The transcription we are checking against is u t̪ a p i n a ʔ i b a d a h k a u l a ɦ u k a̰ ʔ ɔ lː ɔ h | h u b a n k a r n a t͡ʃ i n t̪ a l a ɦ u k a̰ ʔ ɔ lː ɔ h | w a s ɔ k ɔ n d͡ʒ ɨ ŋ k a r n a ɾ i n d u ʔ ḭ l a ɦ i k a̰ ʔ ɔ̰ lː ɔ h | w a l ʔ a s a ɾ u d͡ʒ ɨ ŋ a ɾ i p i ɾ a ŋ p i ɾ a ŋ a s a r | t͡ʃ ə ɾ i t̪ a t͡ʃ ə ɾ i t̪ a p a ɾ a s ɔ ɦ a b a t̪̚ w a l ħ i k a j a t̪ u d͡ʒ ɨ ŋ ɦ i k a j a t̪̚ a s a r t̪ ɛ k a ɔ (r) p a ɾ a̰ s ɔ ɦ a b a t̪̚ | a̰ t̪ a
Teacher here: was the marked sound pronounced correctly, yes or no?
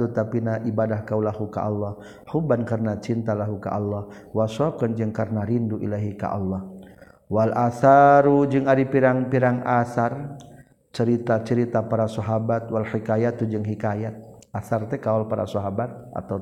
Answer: no